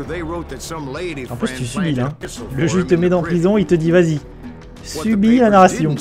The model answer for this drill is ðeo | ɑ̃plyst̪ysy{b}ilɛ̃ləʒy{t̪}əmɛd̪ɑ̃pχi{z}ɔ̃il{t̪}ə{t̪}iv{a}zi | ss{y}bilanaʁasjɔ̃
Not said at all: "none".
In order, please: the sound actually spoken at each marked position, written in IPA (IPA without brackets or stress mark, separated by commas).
b, t̪, z, t̪, d̪, a, y